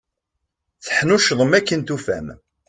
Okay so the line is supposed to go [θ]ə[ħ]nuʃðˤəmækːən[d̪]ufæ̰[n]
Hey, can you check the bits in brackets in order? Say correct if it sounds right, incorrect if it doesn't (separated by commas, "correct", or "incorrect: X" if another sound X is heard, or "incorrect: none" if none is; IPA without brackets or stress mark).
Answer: correct, correct, incorrect: t̪, incorrect: m